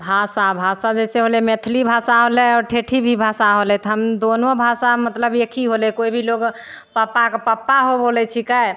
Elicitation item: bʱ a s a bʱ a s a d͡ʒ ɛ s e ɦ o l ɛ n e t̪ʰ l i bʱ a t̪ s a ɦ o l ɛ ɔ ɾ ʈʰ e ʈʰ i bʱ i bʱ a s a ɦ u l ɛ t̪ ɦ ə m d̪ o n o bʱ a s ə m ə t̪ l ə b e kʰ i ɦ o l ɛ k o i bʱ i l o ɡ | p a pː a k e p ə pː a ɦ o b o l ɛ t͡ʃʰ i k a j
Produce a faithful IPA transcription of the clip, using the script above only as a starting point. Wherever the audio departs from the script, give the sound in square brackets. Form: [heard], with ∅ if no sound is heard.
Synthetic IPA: bʱ a s a bʱ a s a d͡ʒ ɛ s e ɦ o l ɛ [m] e t̪ʰ l i bʱ a [∅] s a ɦ o l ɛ ɔ ɾ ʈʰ e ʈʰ i bʱ i bʱ a s a ɦ [o] l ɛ t̪ ɦ ə m d̪ o n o bʱ a s [a] m ə t̪ l ə b e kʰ i ɦ o l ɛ k o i bʱ i l o ɡ | p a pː a k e p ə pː a ɦ o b o l ɛ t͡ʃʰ i k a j